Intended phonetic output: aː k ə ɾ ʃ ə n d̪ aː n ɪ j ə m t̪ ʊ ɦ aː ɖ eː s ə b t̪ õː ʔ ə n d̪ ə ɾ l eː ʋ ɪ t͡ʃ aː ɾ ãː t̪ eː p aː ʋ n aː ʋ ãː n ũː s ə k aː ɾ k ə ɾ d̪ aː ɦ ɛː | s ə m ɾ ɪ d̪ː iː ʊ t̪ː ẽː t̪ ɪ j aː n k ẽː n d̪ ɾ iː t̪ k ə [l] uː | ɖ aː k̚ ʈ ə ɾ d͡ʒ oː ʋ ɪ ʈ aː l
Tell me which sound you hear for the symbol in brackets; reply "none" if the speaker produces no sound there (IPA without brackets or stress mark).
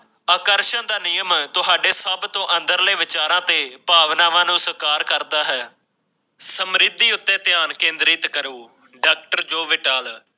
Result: ɾ